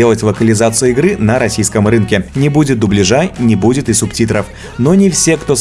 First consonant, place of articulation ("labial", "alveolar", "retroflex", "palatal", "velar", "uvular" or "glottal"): alveolar